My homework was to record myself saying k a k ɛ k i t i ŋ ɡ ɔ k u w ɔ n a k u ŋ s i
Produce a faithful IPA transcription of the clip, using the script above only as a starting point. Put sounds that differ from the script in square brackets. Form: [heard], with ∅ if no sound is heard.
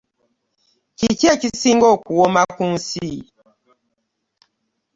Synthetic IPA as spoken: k [i] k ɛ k i [s] i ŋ ɡ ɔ k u w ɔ [m] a k u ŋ s i